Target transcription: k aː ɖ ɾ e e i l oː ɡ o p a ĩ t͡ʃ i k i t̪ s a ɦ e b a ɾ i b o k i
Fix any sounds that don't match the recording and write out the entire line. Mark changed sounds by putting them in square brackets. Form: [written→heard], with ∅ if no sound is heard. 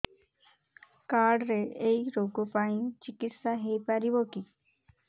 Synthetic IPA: k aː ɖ ɾ e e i [l→ɾ] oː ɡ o p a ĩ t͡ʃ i k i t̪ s a ɦ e [b→p] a ɾ i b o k i